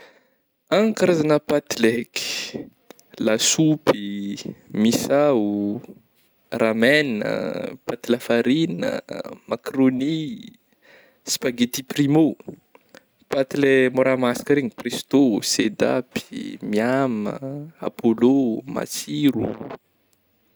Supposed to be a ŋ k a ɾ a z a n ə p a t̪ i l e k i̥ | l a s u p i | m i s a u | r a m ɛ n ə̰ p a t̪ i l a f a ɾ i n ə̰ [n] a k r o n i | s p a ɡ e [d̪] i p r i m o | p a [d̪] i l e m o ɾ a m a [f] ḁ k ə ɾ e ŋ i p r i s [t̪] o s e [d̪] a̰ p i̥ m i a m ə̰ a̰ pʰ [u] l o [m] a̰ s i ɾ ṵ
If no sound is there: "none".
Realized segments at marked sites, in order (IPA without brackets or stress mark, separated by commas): m, t̪, t̪, s, t̪, d̪, o, m